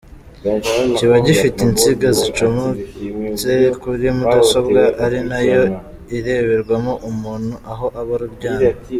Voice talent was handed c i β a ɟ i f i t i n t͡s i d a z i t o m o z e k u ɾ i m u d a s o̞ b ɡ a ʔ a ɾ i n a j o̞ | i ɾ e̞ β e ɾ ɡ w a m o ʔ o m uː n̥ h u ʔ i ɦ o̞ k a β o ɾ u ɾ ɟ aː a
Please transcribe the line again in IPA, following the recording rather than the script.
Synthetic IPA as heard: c i β a ɟ i f i t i n t͡s i ɡ a z i t͡ʃ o m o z e k u ɾ i m u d a s o̞ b ɡ a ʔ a ɾ i n a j o̞ | i ɾ e̞ β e ɾ ɡ w a m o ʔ u m uː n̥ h u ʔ a ɦ o̞ ʔ a β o ɾ u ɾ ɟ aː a